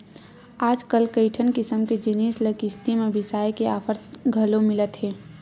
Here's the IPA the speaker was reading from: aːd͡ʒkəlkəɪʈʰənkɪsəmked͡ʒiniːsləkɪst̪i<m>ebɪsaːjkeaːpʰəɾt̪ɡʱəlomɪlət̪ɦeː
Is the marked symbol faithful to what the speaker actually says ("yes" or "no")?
yes